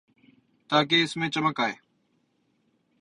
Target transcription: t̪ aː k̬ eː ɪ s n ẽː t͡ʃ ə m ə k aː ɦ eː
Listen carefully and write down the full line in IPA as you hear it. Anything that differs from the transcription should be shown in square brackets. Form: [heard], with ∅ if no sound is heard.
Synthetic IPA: t̪ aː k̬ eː ɪ s [m] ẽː t͡ʃ ə m ə k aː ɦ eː